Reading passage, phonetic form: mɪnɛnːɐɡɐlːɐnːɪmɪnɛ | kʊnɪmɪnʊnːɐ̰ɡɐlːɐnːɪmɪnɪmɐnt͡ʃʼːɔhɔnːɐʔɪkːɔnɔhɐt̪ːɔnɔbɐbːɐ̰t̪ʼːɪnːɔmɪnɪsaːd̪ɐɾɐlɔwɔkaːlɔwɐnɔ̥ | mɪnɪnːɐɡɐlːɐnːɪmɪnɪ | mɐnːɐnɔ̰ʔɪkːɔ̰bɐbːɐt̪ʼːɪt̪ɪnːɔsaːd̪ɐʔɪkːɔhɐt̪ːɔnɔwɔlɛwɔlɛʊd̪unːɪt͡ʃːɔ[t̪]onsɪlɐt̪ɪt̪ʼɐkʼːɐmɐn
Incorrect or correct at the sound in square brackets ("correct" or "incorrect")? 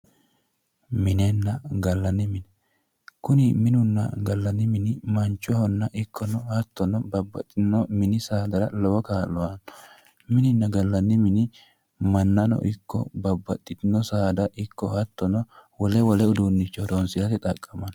incorrect